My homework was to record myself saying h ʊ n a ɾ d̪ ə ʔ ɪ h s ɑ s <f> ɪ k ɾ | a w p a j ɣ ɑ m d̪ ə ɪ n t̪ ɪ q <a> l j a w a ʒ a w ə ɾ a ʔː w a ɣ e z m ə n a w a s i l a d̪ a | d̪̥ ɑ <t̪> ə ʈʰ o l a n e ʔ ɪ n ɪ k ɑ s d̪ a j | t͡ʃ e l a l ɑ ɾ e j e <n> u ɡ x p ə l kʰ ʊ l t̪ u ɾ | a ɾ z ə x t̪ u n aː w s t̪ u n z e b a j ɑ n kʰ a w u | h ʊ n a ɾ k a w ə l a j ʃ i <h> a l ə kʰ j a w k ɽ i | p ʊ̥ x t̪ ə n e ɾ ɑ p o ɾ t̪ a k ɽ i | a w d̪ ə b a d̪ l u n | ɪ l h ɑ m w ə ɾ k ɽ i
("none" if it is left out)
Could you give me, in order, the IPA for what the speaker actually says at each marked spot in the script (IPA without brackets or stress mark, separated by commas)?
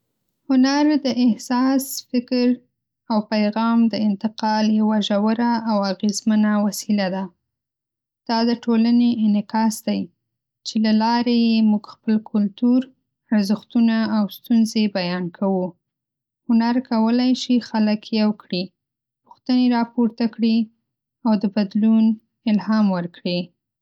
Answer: f, ɑ, d̪, m, x